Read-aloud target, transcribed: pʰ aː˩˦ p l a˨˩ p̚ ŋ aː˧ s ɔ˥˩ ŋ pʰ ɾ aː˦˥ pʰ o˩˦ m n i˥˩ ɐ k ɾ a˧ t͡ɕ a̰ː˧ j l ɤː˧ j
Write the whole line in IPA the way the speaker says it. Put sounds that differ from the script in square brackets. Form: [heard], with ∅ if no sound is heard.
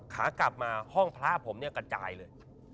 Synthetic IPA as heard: [kʰ] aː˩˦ [k] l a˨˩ p̚ [m] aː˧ [h] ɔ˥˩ ŋ pʰ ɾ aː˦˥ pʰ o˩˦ m n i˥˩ ɐ k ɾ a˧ t͡ɕ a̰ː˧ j l ɤː˧ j